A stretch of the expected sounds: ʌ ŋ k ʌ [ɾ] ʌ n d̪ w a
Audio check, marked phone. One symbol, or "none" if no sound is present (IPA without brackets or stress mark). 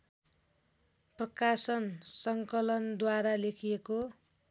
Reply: l